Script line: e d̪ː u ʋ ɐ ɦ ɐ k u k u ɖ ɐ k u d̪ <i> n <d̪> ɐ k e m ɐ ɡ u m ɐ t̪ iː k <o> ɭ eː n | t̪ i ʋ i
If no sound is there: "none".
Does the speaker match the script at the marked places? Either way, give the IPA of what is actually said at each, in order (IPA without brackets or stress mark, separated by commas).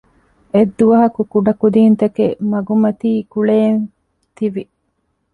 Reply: iː, t̪, u